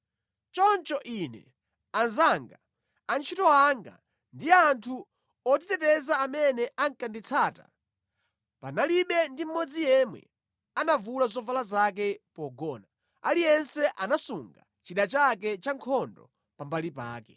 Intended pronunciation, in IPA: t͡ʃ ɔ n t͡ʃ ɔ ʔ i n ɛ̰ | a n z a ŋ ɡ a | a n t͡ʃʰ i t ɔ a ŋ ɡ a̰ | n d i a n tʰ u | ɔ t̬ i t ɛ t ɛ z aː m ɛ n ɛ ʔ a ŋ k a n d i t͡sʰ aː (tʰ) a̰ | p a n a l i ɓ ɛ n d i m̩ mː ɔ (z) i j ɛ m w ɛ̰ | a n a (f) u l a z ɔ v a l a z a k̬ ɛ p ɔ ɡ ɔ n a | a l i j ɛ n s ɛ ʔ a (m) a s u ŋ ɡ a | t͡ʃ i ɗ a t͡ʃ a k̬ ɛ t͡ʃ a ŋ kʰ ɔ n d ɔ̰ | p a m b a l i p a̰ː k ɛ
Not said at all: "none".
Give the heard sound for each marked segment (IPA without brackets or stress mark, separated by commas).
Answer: t, d͡z, v, n